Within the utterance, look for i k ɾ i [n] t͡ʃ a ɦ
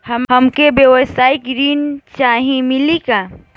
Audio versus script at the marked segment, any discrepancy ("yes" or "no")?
no